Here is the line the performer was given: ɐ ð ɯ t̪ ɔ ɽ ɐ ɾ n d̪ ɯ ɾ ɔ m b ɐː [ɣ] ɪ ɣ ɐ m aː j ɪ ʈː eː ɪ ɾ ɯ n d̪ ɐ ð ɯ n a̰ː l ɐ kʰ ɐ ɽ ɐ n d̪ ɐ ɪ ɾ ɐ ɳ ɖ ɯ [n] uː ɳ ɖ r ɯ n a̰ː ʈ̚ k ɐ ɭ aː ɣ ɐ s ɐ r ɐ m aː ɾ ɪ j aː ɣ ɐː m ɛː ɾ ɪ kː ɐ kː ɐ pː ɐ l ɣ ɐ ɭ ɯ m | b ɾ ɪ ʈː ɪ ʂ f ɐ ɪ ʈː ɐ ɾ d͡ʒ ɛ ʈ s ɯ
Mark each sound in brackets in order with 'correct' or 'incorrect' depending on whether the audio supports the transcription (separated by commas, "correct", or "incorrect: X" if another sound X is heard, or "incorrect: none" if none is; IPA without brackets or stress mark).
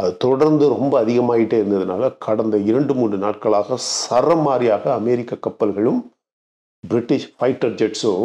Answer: incorrect: ð, incorrect: m